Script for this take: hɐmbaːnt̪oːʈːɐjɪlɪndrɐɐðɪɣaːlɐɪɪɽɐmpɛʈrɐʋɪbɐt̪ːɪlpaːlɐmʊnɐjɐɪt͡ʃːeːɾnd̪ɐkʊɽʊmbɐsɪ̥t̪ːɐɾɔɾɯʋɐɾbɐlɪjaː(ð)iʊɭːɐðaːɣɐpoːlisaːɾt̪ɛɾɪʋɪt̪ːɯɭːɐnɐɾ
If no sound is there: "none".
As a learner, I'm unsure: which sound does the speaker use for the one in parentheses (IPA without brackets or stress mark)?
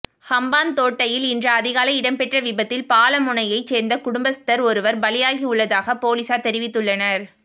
ɣ